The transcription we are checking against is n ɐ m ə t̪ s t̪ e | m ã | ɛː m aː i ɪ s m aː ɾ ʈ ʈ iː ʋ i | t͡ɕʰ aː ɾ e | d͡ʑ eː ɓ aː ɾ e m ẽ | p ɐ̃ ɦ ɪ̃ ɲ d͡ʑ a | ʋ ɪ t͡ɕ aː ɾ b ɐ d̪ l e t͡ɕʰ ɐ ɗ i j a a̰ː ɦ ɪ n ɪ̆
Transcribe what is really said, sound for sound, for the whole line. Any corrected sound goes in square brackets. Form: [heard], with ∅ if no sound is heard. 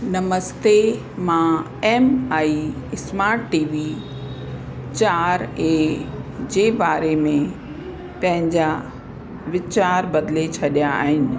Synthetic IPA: n ɐ m ə [∅] s t̪ e | m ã | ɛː m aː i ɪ s m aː ɾ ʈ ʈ iː ʋ i | [t͡ɕ] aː ɾ e | d͡ʑ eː [b] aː ɾ e m ẽ | p ɐ̃ ɦ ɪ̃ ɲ d͡ʑ a | ʋ ɪ t͡ɕ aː ɾ b ɐ d̪ l e t͡ɕʰ ɐ ɗ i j a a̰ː ɦ ɪ n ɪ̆